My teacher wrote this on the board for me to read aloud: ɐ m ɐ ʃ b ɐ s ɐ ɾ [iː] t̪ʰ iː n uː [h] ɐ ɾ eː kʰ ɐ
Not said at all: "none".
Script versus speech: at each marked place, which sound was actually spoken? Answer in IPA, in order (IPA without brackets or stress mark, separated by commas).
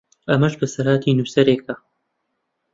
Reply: aː, s